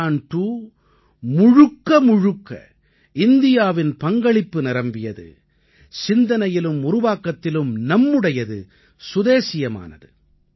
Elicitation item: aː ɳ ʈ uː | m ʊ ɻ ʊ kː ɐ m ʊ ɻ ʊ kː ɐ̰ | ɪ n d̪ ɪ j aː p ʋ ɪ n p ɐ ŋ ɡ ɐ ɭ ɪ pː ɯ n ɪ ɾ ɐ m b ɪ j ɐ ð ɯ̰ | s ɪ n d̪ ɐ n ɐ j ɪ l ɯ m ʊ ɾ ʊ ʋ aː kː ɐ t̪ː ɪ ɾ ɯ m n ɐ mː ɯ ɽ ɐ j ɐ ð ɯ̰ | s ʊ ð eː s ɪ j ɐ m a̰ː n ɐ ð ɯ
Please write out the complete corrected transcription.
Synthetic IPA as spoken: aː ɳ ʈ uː | m ʊ ɻ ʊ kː ɐ m ʊ ɻ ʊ kː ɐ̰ | ɪ n d̪ ɪ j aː ʋ ɪ n p ɐ ŋ ɡ ɐ ɭ ɪ pː ɯ n ɪ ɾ ɐ m b ɪ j ɐ ð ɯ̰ | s ɪ n d̪ ɐ n ɐ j ɪ l ɯ m ʊ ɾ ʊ ʋ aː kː ɐ t̪ː ɪ l ɯ m n ɐ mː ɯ ɽ ɐ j ɐ ð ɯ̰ | s ʊ ð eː s ɪ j ɐ m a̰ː n ɐ ð ɯ